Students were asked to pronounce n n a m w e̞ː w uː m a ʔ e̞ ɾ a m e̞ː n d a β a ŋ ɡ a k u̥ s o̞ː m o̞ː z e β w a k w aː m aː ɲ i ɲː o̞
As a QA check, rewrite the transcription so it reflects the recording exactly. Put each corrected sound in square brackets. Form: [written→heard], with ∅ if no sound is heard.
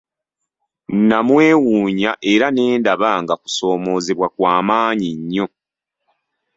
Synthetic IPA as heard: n n a m w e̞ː w uː [m→ɲ] a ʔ e̞ ɾ a [m→n] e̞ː n d a β a ŋ ɡ a k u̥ s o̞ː m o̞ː z e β w a k w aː m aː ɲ i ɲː o̞